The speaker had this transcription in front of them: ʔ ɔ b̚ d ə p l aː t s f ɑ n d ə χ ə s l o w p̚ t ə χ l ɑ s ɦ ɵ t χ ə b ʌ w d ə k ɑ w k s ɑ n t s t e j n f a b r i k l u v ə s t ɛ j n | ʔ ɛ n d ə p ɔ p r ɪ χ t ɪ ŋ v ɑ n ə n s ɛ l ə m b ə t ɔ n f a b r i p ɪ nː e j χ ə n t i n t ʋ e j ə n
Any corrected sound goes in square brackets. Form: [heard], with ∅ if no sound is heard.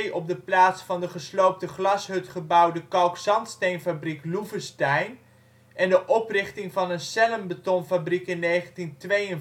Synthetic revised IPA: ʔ ɔ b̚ d ə p l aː t s f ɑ n d ə χ ə s l o w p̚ t ə χ l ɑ s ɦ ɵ t χ ə b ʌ w d ə k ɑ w k s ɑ n t s t e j n f a b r i k l u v ə s t ɛ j n | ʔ ɛ n d ə [ʔ] ɔ p r ɪ χ t ɪ ŋ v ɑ n ə n s ɛ l ə m b ə t ɔ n f a b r i [k] ɪ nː e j χ ə n t i n t ʋ e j ə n